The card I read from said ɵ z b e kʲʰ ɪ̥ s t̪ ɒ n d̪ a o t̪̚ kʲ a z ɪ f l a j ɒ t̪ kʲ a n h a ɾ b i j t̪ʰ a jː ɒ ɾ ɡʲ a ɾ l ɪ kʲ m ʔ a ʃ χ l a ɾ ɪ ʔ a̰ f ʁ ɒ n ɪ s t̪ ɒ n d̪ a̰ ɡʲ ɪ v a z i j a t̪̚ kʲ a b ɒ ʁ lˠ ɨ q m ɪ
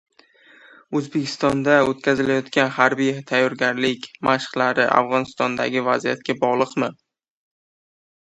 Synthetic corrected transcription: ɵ z b e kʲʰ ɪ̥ s t̪ ɒ n d̪ a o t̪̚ kʲ a z ɪ l a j ɒ t̪ kʲ a n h a ɾ b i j t̪ʰ a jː ɒ ɾ ɡʲ a ɾ l ɪ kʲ m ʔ a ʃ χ l a ɾ ɪ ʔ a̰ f ʁ ɒ n ɪ s t̪ ɒ n d̪ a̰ ɡʲ ɪ v a z i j a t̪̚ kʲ a b ɒ ʁ lˠ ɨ q m ɪ

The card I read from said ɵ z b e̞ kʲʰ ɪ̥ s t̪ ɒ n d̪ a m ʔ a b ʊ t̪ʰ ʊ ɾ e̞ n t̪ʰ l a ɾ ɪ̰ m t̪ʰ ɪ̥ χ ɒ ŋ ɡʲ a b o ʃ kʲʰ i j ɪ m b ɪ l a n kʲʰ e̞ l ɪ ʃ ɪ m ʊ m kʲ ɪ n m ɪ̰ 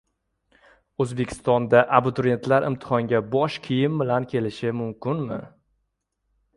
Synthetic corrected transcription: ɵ z b e̞ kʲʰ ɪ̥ s t̪ ɒ n d̪ a ʔ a b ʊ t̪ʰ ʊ ɾ e̞ n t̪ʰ l a ɾ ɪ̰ m t̪ʰ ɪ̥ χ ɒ ŋ ɡʲ a b ɒ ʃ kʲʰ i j ɪ m b ɪ l a n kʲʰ e̞ l ɪ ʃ ɪ m ʊ m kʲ ɪ n m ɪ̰

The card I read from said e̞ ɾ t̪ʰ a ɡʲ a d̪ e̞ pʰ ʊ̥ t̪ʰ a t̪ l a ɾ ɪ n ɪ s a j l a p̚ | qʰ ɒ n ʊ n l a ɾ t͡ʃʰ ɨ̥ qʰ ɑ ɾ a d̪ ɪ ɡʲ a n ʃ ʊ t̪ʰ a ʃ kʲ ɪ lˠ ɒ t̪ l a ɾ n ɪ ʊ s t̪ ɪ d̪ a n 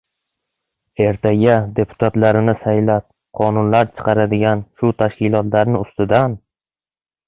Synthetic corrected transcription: e̞ ɾ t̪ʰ a ɡʲ a d̪ e̞ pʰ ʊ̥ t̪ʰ a t̪ l a ɾ ɪ n ɪ s a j l a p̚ | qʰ ɒ n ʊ n l a ɾ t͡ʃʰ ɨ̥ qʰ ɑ ɾ a d̪ ɪ ɡʲ a n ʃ ʊ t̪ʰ a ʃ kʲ ɪ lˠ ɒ t̪ l a ɾ n ɪ ʊ s t̪ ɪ d̪ a n

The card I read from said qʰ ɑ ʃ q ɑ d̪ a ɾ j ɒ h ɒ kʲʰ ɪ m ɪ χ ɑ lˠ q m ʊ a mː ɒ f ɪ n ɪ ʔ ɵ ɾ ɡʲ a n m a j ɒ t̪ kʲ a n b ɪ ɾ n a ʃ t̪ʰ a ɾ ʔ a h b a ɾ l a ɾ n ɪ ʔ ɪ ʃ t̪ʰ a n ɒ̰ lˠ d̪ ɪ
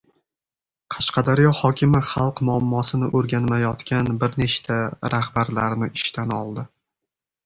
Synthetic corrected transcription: qʰ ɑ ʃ q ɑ d̪ a ɾ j ɒ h ɒ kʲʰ ɪ m ɪ χ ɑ lˠ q m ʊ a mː ɒ s ɪ n ɪ ʔ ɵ ɾ ɡʲ a n m a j ɒ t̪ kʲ a n b ɪ ɾ n e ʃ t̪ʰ a ɾ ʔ a h b a ɾ l a ɾ n ɪ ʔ ɪ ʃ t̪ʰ a n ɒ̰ lˠ d̪ ɪ

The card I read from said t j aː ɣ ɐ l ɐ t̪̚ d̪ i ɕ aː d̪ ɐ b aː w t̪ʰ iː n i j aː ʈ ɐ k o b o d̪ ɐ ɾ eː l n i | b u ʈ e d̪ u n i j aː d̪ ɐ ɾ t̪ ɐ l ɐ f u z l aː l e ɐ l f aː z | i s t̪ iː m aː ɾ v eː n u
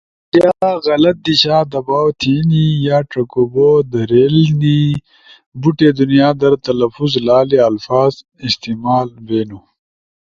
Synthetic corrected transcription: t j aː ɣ ɐ l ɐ t̪̚ d̪ i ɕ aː d̪ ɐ b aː w t̪ʰ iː n i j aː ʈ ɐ k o b o d̪ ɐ ɾ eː l n i | b u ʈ e d̪ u n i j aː d̪ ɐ ɾ t̪ ɐ l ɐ f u z l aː l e ɐ l f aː z | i s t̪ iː m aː l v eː n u

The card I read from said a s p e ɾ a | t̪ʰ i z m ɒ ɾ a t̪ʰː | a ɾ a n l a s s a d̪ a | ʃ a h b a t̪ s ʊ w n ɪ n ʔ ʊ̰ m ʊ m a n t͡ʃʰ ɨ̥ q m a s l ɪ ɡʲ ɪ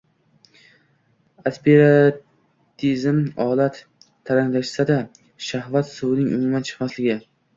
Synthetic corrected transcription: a s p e ɾ a | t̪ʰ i z m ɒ l a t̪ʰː | a ɾ a ŋ l a ʃ s a d̪ a | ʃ a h v a t̪ s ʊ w n ɪ ŋ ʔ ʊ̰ m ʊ m a n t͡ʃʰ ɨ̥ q m a s l ɪ ɡʲ ɪ

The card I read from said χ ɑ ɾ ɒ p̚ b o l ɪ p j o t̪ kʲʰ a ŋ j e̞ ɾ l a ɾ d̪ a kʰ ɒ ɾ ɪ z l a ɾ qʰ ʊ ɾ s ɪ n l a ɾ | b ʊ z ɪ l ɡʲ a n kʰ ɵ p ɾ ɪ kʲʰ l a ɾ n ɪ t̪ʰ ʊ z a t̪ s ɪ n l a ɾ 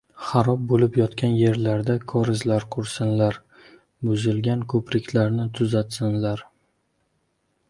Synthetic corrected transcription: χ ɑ ɾ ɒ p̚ b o l ɪ p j ɒ t̪ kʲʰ a n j e̞ ɾ l a ɾ d̪ a kʰ ɒ ɾ ɪ z l a ɾ qʰ ʊ ɾ s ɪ n l a ɾ | b ʊ z ɪ l ɡʲ a n kʰ ɵ p ɾ ɪ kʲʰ l a ɾ n ɪ t̪ʰ ʊ z a t̪ s ɪ n l a ɾ

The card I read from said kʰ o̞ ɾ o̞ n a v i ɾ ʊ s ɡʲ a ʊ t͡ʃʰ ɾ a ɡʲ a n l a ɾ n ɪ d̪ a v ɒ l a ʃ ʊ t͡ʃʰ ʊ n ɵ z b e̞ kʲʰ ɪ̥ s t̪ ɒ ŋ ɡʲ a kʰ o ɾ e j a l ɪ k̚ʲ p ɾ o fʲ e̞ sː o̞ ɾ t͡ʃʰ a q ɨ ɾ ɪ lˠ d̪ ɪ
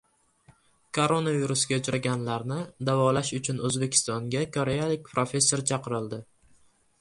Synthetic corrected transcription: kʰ o̞ ɾ o̞ n a v i ɾ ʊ s ɡʲ a ʊ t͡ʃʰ ɾ a ɡʲ a n l a ɾ n ɪ d̪ a v ɒ l a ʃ ʊ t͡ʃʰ ʊ n ɵ z b e̞ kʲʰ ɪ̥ s t̪ ɒ ŋ ɡʲ a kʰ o ɾ e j a l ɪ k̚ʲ p ɾ o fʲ e̞ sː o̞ ɾ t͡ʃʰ ɑ q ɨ ɾ ɪ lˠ d̪ ɪ

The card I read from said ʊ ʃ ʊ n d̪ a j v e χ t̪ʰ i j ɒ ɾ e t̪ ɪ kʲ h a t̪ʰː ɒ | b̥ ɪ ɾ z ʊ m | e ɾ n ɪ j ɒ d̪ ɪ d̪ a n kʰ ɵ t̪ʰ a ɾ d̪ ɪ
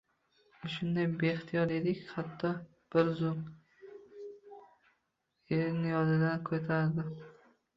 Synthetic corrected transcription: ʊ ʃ ʊ n d̪ a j b e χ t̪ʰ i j ɒ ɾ e d̪ ɪ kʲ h a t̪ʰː ɒ | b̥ ɪ ɾ z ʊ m | e ɾ n ɪ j ɒ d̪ ɪ d̪ a n kʰ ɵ t̪ʰ a ɾ d̪ ɪ

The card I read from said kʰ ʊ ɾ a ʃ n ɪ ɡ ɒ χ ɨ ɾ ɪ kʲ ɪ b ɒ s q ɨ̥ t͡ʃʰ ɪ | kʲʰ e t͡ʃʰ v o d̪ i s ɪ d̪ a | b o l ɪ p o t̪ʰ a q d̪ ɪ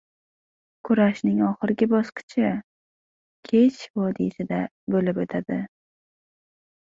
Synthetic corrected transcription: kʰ ʊ ɾ a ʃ n ɪ ŋ ɒ χ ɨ ɾ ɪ ɡʲ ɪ b ɒ s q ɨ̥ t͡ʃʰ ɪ | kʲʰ e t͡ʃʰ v ɒ d̪ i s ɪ d̪ a | b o l ɪ p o t̪ʰ a d̪ ɪ

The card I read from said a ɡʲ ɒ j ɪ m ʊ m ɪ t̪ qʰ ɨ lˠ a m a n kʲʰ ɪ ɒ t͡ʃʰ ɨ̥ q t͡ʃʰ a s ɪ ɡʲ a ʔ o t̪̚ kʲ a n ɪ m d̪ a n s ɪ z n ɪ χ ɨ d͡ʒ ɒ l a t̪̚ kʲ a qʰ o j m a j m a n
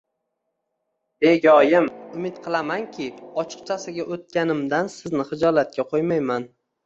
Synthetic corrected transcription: e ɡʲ ɒ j ɪ m ʊ m ɪ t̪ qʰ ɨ lˠ a m a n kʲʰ ɪ ɒ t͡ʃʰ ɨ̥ q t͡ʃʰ a s ɪ ɡʲ a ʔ o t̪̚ kʲ a n ɪ m d̪ a n s ɪ z n ɪ χ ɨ d͡ʒ ɒ l a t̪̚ kʲ a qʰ o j m a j m a n

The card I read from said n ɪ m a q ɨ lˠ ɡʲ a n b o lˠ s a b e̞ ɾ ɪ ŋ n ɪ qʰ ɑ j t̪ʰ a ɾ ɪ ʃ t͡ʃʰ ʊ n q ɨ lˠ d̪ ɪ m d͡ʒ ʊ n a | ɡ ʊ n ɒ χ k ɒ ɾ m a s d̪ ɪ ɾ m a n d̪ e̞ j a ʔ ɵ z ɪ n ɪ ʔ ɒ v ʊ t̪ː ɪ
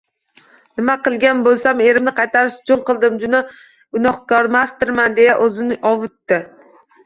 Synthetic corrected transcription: n ɪ m a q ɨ lˠ ɡʲ a n b o lˠ s a m e̞ ɾ ɪ m n ɪ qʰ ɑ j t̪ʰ a ɾ ɪ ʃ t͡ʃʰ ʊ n q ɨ lˠ d̪ ɪ m d͡ʒ ʊ n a | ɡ ʊ n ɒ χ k ɒ ɾ m a s t̪ ɪ ɾ m a n d̪ e̞ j a ʔ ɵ z ɪ n ɪ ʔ ɒ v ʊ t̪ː ɪ

